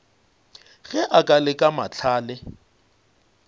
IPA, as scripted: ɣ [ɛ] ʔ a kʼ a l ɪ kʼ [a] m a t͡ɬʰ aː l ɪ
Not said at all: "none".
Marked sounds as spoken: ɛ, a

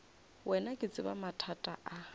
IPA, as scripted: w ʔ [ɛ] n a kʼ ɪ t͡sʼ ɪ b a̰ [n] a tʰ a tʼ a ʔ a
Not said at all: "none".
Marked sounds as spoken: ɛ, m

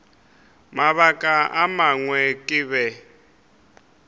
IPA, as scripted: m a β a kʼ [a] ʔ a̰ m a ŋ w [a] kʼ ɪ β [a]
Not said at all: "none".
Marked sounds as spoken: a, ɛ, ɛ

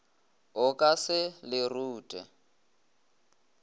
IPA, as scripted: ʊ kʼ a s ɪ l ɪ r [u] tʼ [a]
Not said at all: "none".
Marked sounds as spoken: uː, ɛ

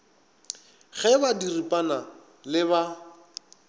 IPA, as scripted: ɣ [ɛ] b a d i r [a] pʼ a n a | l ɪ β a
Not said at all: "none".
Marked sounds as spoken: ɛ, i

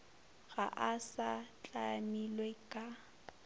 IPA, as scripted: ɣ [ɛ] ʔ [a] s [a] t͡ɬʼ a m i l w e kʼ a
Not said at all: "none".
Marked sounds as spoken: a, a, a

